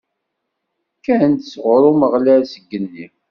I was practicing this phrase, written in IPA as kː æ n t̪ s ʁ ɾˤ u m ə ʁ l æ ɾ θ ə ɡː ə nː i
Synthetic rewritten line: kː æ n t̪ s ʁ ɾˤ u m ə ʁ l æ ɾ s ə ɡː ə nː i